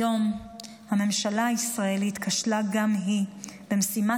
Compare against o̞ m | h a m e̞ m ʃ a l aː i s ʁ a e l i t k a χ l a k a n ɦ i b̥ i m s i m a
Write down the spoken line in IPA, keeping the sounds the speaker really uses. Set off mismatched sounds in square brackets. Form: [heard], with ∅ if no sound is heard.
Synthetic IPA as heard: o̞ m | h a m e̞ m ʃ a l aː i s ʁ a e l i t k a [ʃ] l a [ɡ] a [m] ɦ i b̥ [e] m s i m a